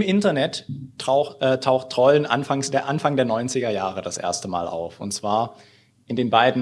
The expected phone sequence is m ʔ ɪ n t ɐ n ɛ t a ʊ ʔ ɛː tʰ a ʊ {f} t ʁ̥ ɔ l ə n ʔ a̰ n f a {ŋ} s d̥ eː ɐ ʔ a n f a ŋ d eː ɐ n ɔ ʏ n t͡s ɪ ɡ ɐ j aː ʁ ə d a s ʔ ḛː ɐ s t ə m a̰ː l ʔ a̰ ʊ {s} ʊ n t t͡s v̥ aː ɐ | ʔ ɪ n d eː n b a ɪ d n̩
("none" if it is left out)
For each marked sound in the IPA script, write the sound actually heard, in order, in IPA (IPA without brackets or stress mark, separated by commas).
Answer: x, ŋ, f